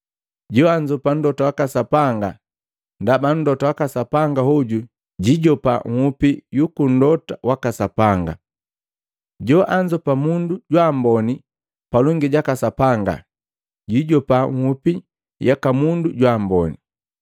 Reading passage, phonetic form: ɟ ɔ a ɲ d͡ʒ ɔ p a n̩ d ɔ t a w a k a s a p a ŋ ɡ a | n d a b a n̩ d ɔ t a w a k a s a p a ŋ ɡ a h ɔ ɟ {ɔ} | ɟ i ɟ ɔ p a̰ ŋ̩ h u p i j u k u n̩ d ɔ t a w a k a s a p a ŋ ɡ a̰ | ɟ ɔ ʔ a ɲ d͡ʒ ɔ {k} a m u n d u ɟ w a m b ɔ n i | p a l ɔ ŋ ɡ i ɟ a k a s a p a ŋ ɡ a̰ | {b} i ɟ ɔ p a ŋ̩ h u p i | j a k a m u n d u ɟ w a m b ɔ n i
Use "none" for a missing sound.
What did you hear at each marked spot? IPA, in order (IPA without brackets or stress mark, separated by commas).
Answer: u, p, ɟ